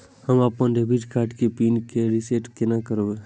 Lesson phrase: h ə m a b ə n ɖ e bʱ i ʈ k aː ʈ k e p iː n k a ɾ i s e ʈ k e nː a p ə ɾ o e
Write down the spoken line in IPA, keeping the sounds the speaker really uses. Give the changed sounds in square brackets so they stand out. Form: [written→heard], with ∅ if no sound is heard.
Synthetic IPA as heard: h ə m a [b→p] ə n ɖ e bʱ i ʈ k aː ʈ k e p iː n k [a→e] ɾ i s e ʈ k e [nː→n] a [p→k] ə ɾ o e